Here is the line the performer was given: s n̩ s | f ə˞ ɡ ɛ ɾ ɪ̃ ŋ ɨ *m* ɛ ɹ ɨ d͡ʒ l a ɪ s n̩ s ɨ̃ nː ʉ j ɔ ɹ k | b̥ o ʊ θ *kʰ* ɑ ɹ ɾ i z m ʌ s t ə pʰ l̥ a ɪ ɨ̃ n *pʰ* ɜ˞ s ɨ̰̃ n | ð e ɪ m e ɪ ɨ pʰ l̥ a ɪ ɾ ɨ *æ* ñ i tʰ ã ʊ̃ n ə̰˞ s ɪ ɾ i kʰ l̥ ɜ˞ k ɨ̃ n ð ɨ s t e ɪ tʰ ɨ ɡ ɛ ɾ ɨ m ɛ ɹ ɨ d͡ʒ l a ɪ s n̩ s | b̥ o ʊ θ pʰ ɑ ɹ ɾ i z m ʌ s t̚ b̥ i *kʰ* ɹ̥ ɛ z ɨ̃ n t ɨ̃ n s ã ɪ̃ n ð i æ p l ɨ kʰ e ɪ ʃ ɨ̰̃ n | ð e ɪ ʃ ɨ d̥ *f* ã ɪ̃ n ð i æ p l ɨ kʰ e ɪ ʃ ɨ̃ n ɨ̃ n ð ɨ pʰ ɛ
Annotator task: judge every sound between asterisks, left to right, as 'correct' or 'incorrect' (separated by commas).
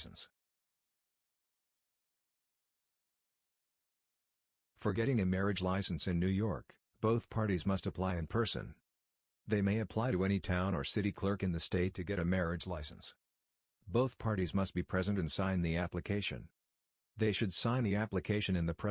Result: correct, incorrect, correct, incorrect, incorrect, incorrect